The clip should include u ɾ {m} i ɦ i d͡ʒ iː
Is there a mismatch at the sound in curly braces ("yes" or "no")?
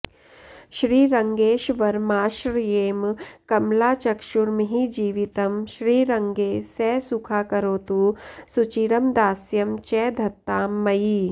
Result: no